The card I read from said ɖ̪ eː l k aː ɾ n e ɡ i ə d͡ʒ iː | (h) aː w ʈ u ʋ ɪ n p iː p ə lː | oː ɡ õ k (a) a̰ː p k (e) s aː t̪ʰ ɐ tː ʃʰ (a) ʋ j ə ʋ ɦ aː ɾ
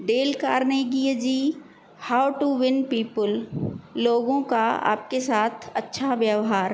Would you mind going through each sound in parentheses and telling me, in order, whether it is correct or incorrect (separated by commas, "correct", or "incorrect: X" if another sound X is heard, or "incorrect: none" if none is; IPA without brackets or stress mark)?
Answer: correct, correct, correct, correct